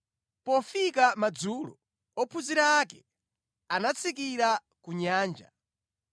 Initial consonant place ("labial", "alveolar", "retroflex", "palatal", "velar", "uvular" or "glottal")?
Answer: labial